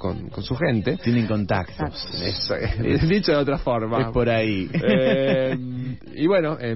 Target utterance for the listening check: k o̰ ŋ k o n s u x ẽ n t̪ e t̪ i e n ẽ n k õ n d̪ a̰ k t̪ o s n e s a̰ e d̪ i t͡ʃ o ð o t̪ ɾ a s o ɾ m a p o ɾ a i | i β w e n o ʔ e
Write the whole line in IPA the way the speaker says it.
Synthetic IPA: k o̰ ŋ k o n s u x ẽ n t̪ e t̪ j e n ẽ ŋ k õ n t̪ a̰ k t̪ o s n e s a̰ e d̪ i t͡ʃ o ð o t̪ ɾ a f o ɾ m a p o ɾ a i | i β w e n o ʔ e